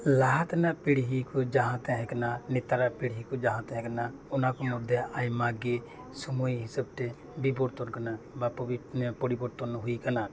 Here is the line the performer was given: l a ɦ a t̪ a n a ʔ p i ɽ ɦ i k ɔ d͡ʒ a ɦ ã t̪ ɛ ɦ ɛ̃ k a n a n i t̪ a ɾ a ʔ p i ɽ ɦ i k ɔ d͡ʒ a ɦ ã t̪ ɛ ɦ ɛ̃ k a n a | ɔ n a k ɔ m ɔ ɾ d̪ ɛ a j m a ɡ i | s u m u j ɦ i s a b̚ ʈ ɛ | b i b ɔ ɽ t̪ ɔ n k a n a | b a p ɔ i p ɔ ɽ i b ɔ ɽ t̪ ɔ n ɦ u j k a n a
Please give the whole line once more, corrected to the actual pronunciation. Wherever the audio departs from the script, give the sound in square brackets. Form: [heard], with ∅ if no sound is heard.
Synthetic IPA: l a ɦ a t̪ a n a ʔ p i ɽ ɦ i k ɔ d͡ʒ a ɦ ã t̪ ɛ ɦ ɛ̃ k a n a n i t̪ a ɾ a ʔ p i ɽ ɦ i k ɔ d͡ʒ a ɦ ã t̪ ɛ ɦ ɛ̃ k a n a | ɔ n a k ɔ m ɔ ɾ d̪ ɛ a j m a ɡ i | s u m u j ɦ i s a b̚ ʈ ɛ | b i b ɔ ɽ t̪ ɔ n k a n a | b a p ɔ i p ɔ ɽ i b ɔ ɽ t̪ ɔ n ɦ u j k a n a